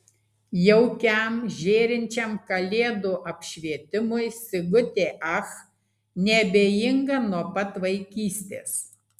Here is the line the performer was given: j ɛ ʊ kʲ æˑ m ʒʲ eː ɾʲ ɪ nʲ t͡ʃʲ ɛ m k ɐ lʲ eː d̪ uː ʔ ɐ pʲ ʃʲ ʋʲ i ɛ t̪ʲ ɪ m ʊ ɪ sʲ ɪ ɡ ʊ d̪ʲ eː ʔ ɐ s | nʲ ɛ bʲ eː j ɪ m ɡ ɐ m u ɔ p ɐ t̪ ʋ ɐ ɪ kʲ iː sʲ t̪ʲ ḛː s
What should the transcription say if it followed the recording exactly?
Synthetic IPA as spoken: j ɛ ʊ kʲ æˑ m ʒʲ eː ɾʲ ɪ nʲ t͡ʃʲ ɛ m k ɐ lʲ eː d̪ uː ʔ ɐ pʲ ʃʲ ʋʲ i ɛ t̪ʲ ɪ m ʊ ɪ sʲ ɪ ɡ ʊ t̪ʲ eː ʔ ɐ x | nʲ ɛ bʲ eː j ɪ ŋ ɡ ɐ n u ɔ p ɐ t̪ ʋ ɐ ɪ kʲ iː sʲ t̪ʲ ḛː s